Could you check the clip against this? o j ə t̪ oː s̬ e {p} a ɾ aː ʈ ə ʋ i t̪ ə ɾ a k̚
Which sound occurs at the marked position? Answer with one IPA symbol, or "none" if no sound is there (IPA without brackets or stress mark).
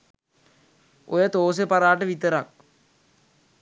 p